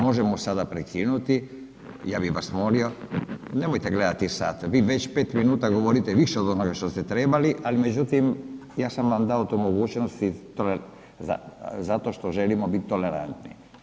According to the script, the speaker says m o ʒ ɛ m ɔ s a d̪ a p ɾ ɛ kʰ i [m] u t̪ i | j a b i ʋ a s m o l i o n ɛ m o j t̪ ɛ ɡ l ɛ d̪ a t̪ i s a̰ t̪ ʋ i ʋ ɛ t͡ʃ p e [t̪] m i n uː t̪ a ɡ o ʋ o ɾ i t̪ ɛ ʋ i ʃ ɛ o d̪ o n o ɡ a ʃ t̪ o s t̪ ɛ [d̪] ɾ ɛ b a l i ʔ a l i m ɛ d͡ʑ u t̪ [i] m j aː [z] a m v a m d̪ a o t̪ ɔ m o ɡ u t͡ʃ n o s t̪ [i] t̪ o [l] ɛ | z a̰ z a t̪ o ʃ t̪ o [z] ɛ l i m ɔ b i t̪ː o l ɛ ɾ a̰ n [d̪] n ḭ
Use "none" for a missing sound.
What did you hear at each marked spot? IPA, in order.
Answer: n, t̪, t̪, i, s, i, l, ʒ, t̪

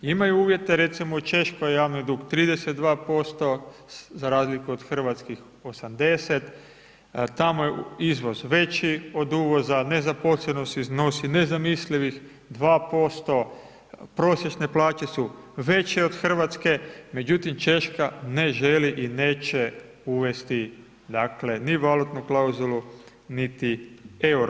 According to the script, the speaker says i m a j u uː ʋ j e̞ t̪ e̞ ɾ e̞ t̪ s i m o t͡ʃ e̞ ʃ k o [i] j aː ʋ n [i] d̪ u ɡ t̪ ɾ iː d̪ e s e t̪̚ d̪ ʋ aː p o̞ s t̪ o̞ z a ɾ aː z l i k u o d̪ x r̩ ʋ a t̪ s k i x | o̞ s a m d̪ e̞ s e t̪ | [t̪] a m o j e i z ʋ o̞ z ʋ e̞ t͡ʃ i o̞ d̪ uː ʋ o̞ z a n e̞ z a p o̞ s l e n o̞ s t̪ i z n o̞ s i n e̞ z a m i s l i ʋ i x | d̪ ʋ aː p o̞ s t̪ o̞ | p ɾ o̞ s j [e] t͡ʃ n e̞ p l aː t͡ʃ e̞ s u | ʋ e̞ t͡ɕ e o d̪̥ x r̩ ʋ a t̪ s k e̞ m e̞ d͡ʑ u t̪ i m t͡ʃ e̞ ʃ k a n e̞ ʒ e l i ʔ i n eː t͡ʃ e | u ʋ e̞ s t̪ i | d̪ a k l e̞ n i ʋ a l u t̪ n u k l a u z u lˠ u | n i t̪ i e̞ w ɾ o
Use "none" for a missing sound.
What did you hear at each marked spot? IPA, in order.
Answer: j, i, t̪, e

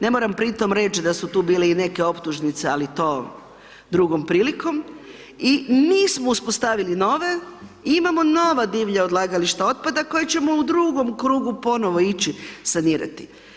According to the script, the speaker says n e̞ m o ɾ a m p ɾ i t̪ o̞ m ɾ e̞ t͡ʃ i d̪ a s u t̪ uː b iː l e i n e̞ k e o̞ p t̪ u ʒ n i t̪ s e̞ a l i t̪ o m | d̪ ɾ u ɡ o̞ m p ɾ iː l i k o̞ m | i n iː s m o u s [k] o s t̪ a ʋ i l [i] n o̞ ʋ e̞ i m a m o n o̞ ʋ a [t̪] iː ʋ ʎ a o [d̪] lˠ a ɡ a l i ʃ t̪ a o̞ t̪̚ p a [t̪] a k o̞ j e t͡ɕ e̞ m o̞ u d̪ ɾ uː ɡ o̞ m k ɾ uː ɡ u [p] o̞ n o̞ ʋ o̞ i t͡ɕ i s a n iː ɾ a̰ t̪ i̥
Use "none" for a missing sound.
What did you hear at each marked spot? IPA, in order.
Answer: p, i, d̪, d̪, d̪, p

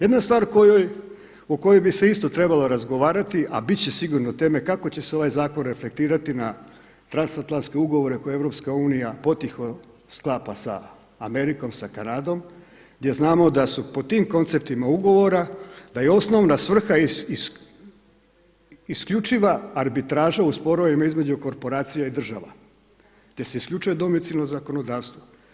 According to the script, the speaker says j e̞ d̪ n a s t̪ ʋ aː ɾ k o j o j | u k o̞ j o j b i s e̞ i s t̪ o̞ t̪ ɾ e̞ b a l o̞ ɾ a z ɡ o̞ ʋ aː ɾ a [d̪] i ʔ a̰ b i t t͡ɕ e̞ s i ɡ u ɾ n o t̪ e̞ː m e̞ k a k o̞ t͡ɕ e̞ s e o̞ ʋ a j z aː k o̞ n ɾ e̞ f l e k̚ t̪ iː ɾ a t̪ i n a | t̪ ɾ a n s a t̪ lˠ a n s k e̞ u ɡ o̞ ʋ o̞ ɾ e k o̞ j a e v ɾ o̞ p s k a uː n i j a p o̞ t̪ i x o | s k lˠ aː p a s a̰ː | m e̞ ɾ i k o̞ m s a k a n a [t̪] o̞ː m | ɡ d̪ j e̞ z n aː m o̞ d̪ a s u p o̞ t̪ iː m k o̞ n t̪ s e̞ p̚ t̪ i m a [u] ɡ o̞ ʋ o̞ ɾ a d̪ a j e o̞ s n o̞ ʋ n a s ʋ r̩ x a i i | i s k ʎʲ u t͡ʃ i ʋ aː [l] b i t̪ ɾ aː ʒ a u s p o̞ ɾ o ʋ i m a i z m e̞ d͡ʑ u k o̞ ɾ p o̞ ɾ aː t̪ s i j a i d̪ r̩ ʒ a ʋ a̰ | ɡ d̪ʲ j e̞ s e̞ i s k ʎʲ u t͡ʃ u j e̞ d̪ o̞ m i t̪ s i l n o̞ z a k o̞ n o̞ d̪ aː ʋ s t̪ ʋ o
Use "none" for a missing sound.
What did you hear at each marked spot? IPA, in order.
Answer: t̪, d̪, u, ɾ

